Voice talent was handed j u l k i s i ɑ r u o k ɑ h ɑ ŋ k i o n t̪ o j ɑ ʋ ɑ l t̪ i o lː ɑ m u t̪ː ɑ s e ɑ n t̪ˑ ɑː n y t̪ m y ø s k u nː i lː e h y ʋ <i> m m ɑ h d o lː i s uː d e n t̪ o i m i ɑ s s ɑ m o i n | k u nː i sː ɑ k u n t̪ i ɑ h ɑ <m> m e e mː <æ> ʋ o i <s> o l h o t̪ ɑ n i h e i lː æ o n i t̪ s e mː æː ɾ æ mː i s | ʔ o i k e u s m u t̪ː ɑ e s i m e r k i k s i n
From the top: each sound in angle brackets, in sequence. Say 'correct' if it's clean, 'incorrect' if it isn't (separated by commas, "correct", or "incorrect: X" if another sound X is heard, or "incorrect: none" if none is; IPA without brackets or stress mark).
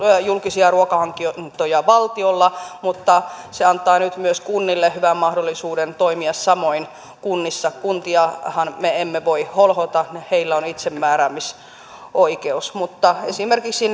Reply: incorrect: æ, incorrect: n, incorrect: e, incorrect: h